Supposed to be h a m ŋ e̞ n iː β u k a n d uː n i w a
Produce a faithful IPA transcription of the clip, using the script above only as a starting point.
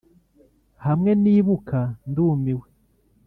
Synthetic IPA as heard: h a m ŋ e̞ n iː β u k a n d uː m i w e